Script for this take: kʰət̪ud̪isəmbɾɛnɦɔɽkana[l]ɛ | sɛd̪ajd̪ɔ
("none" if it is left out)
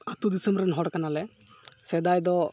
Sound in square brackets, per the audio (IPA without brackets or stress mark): l